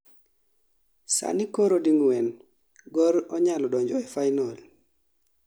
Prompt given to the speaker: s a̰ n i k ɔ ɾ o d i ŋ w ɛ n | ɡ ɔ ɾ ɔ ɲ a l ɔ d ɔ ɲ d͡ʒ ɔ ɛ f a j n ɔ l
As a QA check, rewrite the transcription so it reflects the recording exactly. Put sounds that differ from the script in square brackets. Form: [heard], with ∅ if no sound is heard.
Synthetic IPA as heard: s a̰ n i k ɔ ɾ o d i ŋ w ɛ n | ɡ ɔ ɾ ɔ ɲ a l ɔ d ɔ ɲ d͡ʒ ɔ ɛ f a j n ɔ l